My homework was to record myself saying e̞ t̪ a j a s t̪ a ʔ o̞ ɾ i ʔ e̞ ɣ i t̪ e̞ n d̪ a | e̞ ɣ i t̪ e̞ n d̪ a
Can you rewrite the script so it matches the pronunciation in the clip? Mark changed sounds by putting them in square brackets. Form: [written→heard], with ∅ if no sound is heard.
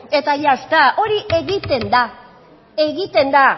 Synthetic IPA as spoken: e̞ t̪ a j a s t̪ a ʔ o̞ ɾ i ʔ e̞ ɣ i t̪ e̞ n d̪ a | e̞ ɣ i t̪ e̞ n d̪ a